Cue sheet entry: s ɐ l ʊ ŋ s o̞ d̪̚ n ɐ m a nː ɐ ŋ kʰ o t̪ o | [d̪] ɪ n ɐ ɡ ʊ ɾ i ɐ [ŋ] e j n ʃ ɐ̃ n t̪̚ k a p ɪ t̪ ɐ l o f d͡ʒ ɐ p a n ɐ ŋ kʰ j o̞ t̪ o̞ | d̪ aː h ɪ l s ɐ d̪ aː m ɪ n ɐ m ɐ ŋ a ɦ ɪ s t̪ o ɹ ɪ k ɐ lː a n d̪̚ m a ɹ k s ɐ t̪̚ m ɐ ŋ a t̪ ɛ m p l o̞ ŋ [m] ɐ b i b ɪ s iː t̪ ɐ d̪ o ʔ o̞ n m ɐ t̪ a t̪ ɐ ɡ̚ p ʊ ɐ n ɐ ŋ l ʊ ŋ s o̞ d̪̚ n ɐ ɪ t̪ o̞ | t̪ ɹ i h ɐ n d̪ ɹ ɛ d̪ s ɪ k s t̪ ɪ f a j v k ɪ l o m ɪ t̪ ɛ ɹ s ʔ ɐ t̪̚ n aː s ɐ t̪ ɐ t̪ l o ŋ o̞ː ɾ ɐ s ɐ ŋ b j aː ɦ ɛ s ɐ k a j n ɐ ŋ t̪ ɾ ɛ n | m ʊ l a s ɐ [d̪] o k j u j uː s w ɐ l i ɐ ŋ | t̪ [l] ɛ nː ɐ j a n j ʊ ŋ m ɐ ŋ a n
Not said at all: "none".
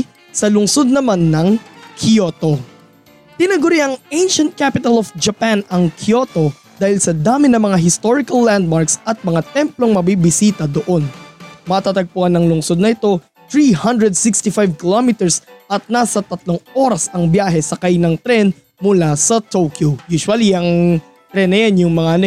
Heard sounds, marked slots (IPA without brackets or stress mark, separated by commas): t̪, ŋ, m, t̪, ɾ